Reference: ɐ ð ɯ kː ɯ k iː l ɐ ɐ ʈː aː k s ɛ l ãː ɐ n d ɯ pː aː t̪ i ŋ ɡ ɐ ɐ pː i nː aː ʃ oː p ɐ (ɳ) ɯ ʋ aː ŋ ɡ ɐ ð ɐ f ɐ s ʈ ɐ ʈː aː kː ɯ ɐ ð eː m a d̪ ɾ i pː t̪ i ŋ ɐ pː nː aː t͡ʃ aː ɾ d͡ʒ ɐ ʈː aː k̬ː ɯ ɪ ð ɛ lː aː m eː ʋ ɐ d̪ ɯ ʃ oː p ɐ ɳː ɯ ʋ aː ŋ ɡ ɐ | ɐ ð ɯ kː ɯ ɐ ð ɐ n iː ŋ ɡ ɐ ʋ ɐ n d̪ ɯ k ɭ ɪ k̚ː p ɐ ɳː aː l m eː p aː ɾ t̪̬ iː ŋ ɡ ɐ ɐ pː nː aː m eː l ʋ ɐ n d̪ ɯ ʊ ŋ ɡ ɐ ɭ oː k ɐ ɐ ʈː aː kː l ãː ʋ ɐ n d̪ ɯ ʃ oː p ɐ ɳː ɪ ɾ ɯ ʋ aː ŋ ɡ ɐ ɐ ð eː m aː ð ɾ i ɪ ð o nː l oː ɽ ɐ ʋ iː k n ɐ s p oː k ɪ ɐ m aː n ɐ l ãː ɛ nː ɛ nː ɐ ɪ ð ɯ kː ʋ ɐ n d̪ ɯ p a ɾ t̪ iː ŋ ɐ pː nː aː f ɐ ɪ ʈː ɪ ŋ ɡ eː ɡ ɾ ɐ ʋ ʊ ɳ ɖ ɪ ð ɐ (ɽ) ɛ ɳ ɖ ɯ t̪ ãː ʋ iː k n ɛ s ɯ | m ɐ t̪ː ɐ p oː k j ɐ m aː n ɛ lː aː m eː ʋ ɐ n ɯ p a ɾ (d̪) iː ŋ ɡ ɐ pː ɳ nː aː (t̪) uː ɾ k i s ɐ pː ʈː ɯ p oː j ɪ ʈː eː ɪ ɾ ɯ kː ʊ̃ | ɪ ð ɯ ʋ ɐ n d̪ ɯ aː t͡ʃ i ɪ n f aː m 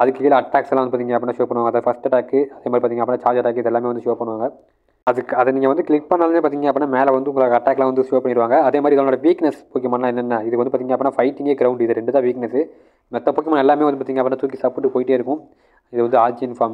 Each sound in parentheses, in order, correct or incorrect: correct, incorrect: ɾ, incorrect: t̪, correct

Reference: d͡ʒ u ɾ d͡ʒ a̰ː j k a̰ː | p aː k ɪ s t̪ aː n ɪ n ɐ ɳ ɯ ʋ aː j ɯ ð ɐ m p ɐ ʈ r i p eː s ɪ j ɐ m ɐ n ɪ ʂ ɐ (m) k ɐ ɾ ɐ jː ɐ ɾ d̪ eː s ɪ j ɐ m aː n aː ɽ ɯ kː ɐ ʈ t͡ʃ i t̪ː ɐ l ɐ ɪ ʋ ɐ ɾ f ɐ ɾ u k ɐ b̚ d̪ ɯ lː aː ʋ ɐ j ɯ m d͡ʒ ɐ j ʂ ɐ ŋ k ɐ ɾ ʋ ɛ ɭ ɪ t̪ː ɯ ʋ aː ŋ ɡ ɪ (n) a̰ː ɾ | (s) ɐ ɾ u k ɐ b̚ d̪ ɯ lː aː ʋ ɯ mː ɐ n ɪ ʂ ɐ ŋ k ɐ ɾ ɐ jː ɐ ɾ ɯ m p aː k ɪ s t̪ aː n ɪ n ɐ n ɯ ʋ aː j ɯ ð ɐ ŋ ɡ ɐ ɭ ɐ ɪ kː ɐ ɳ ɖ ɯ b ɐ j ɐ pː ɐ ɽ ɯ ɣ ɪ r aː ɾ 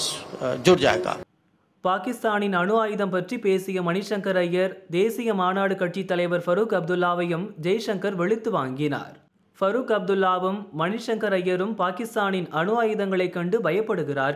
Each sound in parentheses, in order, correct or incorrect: incorrect: ŋ, correct, incorrect: f

